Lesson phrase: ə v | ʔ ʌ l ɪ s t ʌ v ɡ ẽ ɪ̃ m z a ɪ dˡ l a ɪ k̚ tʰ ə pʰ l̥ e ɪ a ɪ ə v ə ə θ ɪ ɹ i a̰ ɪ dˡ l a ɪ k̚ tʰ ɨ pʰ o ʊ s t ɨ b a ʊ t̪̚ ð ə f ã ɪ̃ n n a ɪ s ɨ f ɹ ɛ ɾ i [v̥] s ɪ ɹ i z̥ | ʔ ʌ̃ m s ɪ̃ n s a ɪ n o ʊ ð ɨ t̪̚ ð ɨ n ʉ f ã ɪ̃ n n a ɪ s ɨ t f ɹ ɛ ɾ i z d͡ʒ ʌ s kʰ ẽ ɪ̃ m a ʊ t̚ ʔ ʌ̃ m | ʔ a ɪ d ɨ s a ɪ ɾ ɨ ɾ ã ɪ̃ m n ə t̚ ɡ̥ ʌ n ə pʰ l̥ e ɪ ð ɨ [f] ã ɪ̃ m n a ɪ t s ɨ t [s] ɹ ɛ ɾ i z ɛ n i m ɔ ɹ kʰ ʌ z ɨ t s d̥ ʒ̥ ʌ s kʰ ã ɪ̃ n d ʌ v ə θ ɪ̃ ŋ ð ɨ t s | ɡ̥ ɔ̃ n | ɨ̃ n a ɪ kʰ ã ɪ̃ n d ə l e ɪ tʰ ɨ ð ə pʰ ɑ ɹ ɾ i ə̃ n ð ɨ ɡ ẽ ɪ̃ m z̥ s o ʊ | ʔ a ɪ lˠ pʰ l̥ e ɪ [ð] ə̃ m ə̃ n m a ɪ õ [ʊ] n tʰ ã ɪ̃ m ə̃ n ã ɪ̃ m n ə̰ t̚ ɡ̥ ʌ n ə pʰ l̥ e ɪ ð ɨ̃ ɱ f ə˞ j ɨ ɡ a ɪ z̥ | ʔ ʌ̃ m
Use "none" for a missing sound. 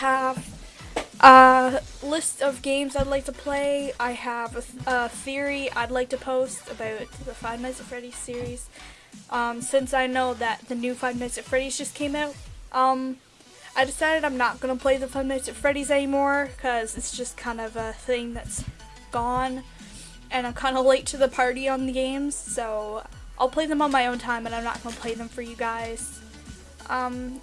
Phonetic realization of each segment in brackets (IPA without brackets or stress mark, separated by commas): z̥, f, f, ð, ʊ̃